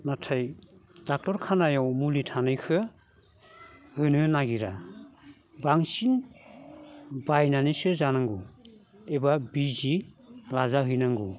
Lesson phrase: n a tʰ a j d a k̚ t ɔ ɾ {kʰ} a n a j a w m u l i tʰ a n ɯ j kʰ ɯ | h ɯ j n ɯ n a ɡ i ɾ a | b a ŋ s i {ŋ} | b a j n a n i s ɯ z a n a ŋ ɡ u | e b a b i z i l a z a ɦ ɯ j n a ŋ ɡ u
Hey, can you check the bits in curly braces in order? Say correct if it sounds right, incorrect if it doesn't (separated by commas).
correct, incorrect